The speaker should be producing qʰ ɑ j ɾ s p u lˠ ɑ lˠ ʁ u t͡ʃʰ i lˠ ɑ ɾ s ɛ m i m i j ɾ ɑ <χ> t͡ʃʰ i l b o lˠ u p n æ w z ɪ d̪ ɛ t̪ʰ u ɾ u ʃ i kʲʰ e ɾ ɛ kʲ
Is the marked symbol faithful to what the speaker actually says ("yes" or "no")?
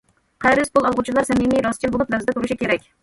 no